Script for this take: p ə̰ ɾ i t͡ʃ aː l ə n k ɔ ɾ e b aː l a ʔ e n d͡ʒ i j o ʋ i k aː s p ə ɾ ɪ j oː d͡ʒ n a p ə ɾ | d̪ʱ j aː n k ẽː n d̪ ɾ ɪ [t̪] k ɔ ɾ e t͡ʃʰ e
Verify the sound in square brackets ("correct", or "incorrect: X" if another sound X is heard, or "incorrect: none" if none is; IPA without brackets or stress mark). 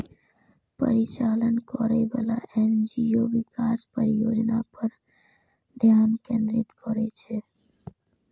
correct